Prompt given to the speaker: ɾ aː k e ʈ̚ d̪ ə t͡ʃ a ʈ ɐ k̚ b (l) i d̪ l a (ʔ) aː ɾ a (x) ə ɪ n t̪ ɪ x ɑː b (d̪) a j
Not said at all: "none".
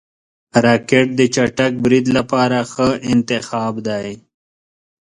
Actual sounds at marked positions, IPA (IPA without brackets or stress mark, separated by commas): ɾ, p, x, d̪